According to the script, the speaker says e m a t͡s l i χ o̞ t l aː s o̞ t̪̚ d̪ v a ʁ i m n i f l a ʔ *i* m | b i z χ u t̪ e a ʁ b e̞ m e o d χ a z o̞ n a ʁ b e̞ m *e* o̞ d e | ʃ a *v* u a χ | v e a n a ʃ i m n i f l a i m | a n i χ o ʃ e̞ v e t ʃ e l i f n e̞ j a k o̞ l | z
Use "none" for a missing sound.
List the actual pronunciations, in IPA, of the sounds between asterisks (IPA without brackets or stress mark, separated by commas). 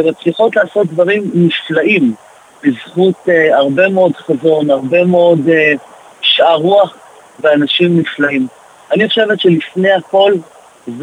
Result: i, e, ʁ